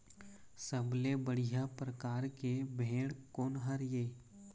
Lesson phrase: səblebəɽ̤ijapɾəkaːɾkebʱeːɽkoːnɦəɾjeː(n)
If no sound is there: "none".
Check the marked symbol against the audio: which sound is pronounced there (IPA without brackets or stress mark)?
none